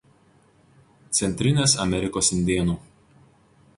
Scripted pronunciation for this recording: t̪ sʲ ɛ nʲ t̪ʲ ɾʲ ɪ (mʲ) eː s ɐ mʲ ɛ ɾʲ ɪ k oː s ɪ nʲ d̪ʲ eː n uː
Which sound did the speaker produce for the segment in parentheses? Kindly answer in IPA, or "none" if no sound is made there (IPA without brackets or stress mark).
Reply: nʲ